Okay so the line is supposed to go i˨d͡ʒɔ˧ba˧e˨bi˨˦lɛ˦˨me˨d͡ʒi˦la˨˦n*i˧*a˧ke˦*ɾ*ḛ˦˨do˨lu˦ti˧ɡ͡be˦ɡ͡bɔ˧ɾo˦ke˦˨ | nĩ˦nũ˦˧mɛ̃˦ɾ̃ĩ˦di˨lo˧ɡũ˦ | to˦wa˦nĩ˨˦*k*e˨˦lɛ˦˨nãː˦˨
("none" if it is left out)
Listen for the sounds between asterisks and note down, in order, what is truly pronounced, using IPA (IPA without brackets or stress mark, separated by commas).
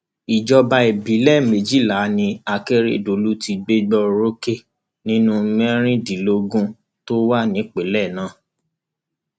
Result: ĩ˧, ɾ, k͡p